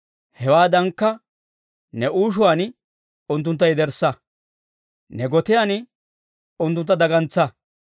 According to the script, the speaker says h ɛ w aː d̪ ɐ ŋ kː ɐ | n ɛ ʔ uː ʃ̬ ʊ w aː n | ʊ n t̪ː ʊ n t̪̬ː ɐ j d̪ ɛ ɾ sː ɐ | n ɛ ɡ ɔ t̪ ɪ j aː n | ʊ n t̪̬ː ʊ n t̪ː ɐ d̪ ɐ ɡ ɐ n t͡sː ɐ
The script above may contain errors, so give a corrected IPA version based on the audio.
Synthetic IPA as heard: h ɛ w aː d̪ ɐ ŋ kː ɐ | n ɛ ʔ uː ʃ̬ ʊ w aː n | ʊ n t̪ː ʊ n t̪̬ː ɐ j d̪ ɛ ɾ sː ɐ | n ɛ ɡ ɔ t̪ ɪ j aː n | ʊ n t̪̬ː ʊ n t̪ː ɐ d̪ ɐ ɡ ɐ n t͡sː ɐ